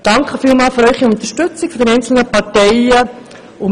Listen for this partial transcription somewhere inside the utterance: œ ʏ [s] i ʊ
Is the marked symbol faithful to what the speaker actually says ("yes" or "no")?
no